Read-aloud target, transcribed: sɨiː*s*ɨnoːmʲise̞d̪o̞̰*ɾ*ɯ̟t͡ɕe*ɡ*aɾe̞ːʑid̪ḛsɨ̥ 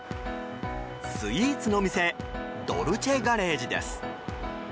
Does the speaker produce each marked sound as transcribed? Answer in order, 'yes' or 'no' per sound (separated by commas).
no, yes, yes